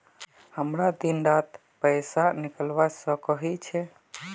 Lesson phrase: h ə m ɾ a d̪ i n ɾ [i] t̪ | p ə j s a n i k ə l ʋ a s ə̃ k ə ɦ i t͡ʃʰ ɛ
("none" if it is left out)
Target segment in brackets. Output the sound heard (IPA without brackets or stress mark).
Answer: a